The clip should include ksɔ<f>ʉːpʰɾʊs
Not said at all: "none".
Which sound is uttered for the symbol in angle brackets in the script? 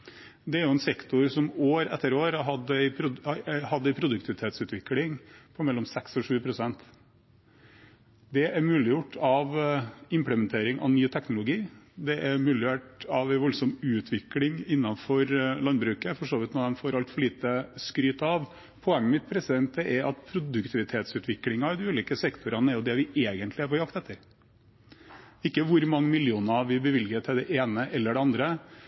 ʂ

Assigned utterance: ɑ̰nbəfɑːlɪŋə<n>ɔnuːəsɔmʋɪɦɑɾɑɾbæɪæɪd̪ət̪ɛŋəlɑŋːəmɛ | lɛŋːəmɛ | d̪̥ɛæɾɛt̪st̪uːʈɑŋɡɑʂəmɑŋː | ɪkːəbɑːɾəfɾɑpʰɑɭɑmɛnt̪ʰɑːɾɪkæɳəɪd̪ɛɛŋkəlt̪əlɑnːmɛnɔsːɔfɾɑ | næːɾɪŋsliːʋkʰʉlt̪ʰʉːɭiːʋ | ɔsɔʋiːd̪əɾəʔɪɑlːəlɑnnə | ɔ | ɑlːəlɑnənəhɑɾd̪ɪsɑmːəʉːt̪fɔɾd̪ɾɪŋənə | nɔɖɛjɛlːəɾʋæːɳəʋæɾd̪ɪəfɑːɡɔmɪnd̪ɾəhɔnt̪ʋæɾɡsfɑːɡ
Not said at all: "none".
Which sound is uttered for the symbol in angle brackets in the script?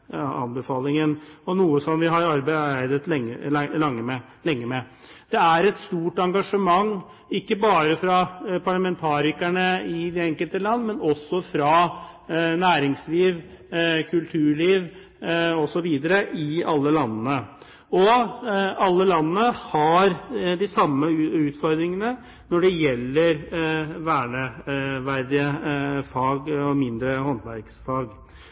n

